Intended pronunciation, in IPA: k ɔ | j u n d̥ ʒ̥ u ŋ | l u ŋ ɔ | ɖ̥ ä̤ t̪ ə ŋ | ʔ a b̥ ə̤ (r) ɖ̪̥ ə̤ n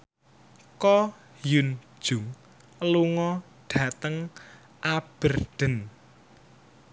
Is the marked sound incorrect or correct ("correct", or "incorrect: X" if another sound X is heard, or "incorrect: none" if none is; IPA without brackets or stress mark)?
correct